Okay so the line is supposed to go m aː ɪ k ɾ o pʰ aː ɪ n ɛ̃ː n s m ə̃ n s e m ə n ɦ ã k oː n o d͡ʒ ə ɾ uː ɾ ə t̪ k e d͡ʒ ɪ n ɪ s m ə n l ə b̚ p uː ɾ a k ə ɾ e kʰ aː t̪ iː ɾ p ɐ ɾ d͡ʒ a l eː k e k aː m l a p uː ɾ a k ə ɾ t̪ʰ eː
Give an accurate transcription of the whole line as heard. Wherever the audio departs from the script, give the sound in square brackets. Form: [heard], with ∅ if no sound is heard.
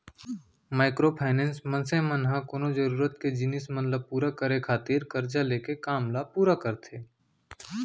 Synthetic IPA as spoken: m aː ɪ k ɾ o pʰ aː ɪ n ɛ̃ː n s m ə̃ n s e m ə n ɦ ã k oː n o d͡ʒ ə ɾ uː ɾ ə t̪ k e d͡ʒ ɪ n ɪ s m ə n l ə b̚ p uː ɾ a k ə ɾ e kʰ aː t̪ iː ɾ [k] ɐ ɾ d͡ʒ a l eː k e k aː m l a p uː ɾ a k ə ɾ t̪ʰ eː

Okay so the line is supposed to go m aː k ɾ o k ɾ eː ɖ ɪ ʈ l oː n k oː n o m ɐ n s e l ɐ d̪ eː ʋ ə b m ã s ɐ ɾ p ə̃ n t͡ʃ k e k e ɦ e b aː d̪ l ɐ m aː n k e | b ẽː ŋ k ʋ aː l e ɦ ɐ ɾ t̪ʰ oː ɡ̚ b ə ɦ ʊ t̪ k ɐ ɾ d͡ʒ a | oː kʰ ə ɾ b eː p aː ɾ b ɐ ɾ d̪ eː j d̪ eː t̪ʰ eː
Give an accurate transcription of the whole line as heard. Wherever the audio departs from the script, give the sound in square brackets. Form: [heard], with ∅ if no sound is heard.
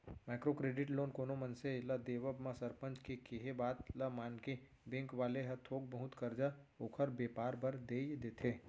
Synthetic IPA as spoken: m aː k ɾ o k ɾ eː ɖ ɪ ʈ l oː n k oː n o m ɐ n s e l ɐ d̪ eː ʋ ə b m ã s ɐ ɾ p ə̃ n t͡ʃ k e k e ɦ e b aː [t̪] l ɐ m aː n k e | b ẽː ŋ k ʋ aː l e ɦ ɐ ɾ t̪ʰ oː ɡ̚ b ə ɦ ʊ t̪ k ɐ ɾ d͡ʒ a | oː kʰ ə ɾ b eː p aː ɾ b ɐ ɾ d̪ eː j d̪ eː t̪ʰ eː

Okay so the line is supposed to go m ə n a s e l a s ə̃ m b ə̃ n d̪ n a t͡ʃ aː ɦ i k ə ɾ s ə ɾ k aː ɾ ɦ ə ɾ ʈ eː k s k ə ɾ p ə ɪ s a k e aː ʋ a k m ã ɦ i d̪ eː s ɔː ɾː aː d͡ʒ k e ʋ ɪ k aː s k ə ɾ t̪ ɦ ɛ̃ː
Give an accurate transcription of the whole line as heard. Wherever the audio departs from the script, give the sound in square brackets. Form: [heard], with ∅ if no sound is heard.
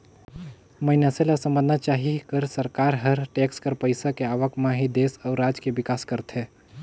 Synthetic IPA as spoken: m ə n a s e l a s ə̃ m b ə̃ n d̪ n a t͡ʃ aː ɦ i k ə ɾ s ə ɾ k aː ɾ ɦ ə ɾ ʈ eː k s k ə ɾ p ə ɪ s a k e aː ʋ [ə] k m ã ɦ i d̪ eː s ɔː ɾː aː d͡ʒ k e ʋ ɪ k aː s k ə ɾ t̪ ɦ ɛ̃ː

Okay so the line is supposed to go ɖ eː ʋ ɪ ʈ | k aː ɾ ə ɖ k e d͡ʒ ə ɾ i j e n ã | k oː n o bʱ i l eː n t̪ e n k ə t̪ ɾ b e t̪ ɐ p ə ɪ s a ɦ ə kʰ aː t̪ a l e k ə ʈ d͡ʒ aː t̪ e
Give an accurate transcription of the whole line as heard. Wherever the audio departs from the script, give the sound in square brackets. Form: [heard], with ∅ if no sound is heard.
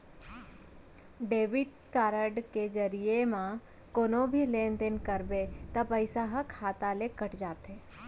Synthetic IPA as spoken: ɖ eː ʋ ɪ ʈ | k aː ɾ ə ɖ k e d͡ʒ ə ɾ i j e [m] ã | k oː n o bʱ i l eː n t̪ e n k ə [∅] ɾ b e t̪ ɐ p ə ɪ s a ɦ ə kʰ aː t̪ a l e k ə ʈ d͡ʒ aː t̪ e

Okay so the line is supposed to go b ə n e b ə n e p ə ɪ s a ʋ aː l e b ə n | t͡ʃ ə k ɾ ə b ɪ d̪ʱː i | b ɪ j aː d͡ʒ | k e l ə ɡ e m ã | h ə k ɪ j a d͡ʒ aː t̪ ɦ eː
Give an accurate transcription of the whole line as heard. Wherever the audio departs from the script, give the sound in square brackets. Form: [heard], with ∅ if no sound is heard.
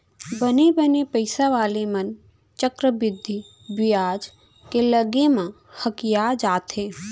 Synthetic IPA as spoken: b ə n e b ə n e p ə ɪ s a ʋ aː l e [m] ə n | t͡ʃ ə k ɾ ə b ɪ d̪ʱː i | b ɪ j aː d͡ʒ | k e l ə ɡ e m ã | h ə k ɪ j a d͡ʒ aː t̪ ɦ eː

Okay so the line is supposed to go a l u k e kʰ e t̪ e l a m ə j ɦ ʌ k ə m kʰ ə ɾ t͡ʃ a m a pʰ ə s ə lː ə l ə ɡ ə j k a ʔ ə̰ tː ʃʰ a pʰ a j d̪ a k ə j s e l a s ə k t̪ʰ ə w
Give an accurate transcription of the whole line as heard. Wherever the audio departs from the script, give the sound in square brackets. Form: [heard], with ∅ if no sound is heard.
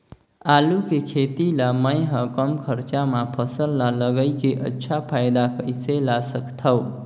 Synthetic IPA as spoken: a l u k e kʰ e t̪ [i] l a m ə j ɦ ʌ k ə m kʰ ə ɾ t͡ʃ a m a pʰ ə s ə lː [a] l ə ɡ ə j k [e] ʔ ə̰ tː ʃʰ a pʰ a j d̪ a k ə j s e l a s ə k t̪ʰ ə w

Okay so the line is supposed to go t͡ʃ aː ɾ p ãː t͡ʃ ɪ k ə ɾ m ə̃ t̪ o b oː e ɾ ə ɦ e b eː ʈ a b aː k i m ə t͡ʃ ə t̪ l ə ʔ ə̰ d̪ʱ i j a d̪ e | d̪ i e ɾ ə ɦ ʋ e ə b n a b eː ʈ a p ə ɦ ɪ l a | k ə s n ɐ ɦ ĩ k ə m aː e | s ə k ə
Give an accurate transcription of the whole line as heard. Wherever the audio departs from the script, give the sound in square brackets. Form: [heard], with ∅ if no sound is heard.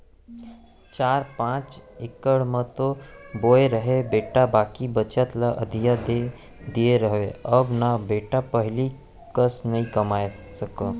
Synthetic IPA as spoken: t͡ʃ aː ɾ p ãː t͡ʃ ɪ k ə [ɽ] m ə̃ t̪ o b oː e ɾ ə ɦ e b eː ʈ a b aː k i [b] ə t͡ʃ ə t̪ l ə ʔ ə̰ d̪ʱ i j a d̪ e | d̪ i e ɾ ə ɦ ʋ e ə b n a b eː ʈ a p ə ɦ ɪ l [i] | k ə s n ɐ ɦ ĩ k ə m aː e | s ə k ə

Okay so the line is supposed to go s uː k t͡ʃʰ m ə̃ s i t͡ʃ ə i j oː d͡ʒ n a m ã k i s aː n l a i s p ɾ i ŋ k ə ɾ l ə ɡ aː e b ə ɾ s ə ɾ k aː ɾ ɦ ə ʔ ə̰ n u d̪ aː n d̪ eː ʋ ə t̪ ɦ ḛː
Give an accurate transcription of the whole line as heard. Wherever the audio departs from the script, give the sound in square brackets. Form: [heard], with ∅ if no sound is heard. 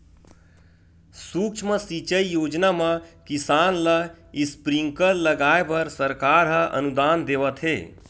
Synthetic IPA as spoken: s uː k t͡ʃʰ m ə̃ s i t͡ʃ ə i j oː d͡ʒ n a m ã k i s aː n l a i s p ɾ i ŋ k ə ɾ l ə ɡ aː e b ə ɾ s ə ɾ k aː ɾ ɦ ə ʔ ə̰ n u d̪ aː n d̪ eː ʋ ə t̪ ɦ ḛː

